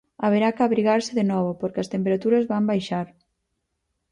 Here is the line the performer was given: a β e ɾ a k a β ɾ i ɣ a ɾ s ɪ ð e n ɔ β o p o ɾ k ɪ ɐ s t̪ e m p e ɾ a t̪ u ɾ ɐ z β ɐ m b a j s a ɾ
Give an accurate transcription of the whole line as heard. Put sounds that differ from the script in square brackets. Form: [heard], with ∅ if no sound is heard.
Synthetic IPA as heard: a β e ɾ a k a β ɾ i ɣ a ɾ s ɪ ð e n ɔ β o p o ɾ k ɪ ɐ s t̪ e m p e ɾ a t̪ u ɾ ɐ z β [a] m b a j [ʃ] a ɾ